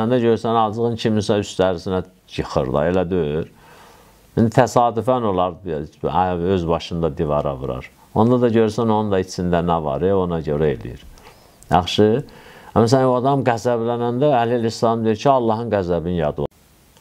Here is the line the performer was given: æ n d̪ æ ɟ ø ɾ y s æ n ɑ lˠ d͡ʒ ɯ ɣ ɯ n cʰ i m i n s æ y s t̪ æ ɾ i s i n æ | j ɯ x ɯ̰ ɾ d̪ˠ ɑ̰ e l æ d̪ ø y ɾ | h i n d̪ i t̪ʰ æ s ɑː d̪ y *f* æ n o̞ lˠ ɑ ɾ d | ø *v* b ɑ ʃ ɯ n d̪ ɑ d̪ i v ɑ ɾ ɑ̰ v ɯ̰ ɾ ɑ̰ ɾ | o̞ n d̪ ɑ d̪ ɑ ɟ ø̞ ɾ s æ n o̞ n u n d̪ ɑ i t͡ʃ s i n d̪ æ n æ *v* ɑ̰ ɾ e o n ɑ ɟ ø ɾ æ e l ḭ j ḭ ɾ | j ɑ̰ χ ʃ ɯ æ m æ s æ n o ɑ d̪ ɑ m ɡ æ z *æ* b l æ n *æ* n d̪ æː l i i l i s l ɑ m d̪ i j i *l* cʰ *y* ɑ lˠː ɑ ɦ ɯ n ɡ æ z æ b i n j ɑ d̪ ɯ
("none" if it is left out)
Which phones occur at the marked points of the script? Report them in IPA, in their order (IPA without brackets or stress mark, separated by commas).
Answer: f, z, v, æ, æ, ɾ, i